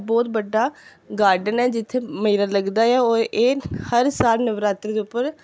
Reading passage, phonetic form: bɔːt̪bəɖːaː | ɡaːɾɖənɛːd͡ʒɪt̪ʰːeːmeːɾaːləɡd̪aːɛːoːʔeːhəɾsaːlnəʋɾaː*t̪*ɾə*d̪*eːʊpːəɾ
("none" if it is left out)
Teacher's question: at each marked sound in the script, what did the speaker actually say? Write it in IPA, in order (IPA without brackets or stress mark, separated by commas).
t̪, d̪